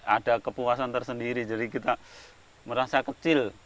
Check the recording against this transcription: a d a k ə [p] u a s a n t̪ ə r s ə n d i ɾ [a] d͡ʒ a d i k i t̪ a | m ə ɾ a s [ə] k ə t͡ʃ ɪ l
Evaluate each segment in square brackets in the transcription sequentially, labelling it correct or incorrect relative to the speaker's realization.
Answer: correct, incorrect: i, incorrect: a

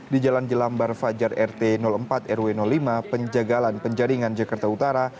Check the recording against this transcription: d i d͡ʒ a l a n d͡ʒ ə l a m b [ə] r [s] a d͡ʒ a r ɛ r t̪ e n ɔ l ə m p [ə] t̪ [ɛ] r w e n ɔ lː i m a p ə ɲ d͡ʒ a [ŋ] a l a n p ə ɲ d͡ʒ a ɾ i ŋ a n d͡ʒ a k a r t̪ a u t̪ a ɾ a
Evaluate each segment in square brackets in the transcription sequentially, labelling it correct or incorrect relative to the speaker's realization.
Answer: incorrect: a, incorrect: f, incorrect: a, correct, incorrect: ɡ

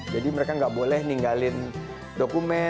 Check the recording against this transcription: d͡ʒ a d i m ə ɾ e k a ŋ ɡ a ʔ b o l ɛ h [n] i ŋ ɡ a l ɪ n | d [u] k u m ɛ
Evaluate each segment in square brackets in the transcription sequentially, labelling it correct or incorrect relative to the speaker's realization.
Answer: correct, incorrect: o

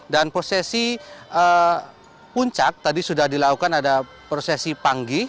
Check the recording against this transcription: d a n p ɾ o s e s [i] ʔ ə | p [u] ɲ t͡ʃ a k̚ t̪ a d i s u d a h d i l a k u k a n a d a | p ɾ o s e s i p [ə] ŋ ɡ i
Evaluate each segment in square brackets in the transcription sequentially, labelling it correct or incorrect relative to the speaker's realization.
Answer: correct, correct, incorrect: a

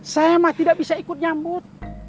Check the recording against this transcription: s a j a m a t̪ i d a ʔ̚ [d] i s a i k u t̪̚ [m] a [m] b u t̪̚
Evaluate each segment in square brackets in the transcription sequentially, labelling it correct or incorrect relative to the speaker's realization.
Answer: incorrect: b, incorrect: ɲ, correct

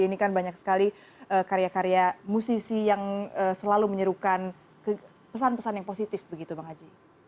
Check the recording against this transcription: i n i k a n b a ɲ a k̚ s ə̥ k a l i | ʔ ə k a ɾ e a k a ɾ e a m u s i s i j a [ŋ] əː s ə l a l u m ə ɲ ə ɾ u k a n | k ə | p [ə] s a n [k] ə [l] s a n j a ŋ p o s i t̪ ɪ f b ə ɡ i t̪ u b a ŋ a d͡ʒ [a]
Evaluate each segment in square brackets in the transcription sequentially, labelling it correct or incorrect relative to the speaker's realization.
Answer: correct, correct, incorrect: p, incorrect: none, incorrect: i

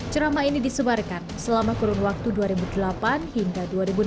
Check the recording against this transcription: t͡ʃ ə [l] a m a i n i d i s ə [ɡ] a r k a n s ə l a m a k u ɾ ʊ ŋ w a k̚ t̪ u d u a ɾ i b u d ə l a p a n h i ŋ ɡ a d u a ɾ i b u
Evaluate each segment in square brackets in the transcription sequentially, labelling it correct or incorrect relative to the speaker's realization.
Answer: incorrect: ɾ, incorrect: b

